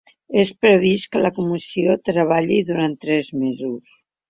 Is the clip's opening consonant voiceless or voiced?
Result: voiceless